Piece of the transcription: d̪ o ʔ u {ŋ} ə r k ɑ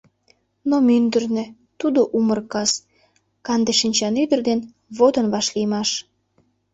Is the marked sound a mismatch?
yes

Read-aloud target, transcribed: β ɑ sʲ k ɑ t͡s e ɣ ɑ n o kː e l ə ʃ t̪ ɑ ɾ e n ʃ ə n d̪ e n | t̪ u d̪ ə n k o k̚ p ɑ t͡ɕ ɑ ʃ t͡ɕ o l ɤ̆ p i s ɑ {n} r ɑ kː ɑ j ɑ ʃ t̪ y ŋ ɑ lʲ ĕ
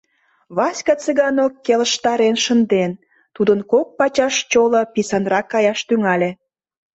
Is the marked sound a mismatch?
no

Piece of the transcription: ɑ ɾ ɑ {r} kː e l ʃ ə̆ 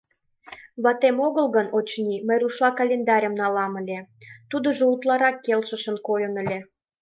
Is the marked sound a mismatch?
yes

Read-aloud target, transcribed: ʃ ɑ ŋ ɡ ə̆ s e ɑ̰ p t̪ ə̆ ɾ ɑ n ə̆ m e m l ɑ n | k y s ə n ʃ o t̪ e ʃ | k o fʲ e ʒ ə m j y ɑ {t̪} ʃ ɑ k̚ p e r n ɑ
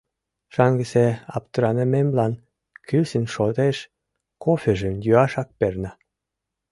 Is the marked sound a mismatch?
yes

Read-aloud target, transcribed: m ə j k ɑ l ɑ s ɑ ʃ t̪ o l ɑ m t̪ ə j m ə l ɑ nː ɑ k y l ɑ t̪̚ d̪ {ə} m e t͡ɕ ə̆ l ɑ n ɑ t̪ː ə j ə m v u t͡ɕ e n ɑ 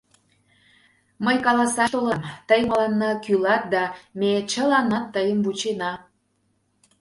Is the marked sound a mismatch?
yes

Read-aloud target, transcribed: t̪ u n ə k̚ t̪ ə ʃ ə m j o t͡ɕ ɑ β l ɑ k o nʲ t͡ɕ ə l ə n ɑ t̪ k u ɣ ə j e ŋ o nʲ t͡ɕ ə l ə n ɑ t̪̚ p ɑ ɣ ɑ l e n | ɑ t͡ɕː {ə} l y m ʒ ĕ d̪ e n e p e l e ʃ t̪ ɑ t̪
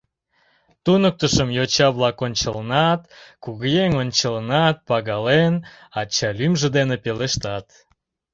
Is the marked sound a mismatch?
yes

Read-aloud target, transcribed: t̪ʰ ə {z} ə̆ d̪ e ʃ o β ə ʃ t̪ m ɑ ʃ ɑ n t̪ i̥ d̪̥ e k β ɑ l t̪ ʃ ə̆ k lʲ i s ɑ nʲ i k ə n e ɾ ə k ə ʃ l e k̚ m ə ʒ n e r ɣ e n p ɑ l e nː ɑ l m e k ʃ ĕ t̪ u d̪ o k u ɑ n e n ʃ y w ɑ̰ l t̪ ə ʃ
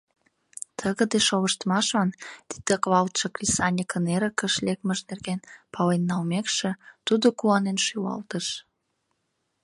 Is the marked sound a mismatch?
yes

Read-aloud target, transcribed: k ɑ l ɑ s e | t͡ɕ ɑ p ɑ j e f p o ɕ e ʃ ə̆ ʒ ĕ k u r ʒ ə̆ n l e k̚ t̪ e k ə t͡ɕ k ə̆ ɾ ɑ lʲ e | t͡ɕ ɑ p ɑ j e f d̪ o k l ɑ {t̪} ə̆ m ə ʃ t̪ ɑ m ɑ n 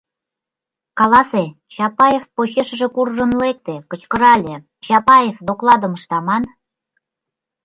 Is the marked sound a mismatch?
yes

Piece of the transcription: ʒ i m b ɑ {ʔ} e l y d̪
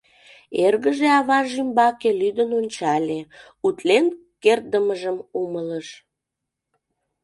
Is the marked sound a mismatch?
yes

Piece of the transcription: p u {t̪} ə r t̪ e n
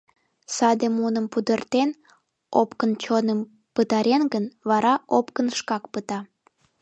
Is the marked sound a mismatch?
yes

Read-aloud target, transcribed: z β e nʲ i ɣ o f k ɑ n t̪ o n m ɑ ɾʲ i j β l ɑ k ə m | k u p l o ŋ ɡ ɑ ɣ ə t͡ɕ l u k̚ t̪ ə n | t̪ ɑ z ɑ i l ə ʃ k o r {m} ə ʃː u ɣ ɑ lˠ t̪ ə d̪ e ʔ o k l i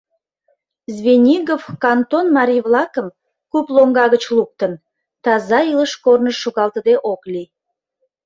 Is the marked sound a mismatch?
yes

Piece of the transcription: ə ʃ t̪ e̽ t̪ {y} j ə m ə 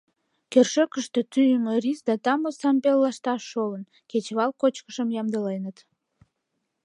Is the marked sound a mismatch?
no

